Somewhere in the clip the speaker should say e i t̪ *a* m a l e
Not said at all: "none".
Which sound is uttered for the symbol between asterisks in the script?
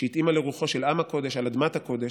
i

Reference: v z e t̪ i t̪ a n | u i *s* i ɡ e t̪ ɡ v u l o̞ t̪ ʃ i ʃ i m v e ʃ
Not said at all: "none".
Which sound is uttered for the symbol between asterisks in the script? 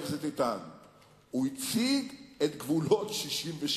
t͡s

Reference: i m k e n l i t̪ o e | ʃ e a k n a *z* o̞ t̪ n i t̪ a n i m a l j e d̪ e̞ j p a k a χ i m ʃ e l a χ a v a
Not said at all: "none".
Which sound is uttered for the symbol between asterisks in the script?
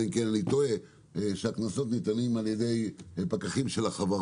s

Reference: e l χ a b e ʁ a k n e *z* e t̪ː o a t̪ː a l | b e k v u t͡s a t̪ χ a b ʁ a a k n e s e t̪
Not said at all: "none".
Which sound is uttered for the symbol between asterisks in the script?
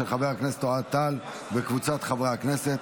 s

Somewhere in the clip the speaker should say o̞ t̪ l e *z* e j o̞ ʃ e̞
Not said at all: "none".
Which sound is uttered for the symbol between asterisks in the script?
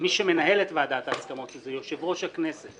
z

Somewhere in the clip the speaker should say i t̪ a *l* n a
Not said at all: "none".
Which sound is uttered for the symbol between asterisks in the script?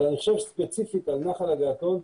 l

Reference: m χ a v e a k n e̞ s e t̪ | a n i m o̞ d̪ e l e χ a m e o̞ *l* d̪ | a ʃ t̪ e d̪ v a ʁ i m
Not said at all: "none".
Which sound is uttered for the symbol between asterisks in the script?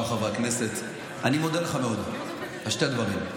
none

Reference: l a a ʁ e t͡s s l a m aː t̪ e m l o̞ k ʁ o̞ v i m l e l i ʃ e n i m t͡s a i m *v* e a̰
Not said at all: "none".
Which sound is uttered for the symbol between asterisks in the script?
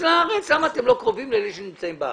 b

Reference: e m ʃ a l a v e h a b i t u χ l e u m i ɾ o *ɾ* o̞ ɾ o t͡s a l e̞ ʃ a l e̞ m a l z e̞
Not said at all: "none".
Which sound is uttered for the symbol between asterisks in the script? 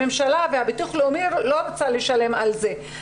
l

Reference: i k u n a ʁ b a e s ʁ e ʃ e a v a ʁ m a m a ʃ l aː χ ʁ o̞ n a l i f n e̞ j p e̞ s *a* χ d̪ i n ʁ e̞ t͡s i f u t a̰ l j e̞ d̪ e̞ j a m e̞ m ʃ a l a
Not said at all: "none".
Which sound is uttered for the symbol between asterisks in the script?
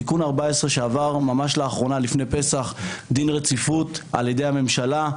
a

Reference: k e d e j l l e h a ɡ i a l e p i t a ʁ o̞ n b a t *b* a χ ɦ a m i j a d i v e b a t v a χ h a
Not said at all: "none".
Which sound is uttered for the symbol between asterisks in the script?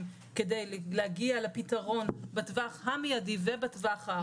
v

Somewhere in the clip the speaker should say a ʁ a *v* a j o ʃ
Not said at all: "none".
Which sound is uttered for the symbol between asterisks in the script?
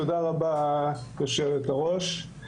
b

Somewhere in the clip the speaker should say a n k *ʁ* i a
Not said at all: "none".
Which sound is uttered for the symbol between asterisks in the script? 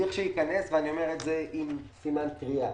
ʁ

